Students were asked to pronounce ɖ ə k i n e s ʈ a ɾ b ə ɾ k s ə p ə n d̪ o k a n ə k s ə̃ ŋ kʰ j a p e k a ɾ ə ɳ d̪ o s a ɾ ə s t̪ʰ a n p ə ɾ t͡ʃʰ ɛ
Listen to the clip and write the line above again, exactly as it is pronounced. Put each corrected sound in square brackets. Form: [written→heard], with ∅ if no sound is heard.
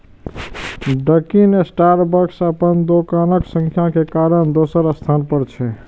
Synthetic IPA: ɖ ə k i n e s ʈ a ɾ b ə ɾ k s ə p ə n d̪ o k a n ə k s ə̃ ŋ kʰ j a [p→k] e k a ɾ ə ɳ d̪ o s [a→ə] ɾ ə s t̪ʰ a n p ə ɾ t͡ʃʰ ɛ